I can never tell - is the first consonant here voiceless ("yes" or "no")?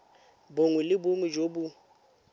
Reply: no